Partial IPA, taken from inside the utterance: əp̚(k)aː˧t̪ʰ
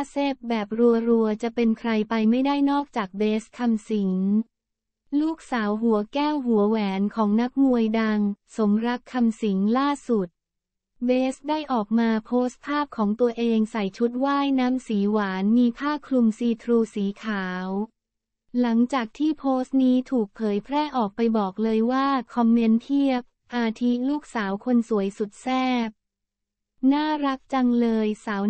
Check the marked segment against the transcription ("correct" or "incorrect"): incorrect